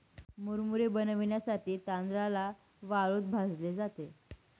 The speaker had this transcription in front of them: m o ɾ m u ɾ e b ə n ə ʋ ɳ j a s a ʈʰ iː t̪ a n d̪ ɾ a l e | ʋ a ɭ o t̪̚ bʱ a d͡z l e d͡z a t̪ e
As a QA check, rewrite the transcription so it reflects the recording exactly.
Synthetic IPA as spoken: m u ɾ m u ɾ e b ə n ə ʋ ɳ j a s a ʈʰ iː t̪ a n d̪ ɾ a l a | ʋ a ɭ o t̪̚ bʱ a d͡z l e d͡z a t̪ e